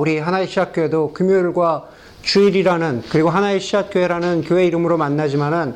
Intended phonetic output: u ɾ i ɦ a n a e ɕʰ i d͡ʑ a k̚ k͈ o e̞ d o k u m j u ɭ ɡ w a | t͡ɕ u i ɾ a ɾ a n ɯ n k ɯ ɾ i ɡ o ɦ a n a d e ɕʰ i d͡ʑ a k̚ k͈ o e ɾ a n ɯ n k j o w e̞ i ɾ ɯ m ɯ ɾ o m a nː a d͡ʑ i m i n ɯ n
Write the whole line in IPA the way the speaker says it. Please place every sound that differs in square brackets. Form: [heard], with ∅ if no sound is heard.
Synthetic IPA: u ɾ i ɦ a n a e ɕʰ i d͡ʑ a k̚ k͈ o e̞ d o k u m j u ɭ ɡ w a | t͡ɕ u i ɾ [i] ɾ a n ɯ n k ɯ ɾ i ɡ o ɦ a n a [∅] e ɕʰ i d͡ʑ a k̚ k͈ o e ɾ a n ɯ n k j o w e̞ i ɾ ɯ m ɯ ɾ o m a nː a d͡ʑ i m [a] n ɯ n